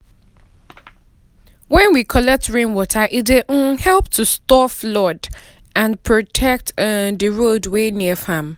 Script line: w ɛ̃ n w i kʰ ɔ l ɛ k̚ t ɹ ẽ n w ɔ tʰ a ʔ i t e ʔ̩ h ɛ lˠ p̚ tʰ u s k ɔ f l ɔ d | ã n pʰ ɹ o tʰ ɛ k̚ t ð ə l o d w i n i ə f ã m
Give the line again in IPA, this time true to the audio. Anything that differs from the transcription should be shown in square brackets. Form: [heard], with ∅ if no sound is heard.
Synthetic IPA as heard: w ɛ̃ n w i kʰ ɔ l ɛ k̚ t ɹ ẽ n w ɔ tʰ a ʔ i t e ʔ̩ h ɛ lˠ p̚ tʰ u s [t] ɔ f l ɔ d | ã n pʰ ɹ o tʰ ɛ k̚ t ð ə [ɹ] o d w [e] n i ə f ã m